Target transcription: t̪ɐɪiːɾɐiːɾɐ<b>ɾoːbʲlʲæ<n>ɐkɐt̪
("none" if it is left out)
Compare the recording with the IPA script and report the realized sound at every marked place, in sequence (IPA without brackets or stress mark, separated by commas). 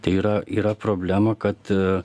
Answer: p, m